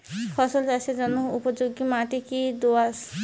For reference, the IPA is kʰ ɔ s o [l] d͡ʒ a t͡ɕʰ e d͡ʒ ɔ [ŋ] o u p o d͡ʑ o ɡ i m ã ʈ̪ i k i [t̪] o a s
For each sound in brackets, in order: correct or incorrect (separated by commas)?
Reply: correct, incorrect, incorrect